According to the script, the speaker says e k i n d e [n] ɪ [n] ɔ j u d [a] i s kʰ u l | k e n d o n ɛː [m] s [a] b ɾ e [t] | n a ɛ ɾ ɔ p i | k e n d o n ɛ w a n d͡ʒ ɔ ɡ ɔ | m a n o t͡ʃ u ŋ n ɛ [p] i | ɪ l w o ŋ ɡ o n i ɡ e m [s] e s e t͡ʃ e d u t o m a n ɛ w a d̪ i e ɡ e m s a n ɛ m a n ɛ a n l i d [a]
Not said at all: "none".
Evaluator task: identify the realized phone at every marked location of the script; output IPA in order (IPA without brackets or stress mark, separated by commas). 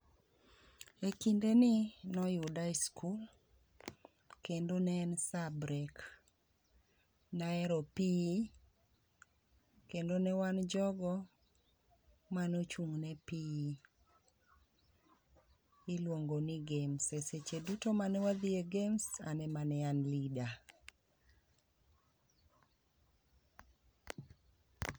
n, n, a, n, a, k, p, s, a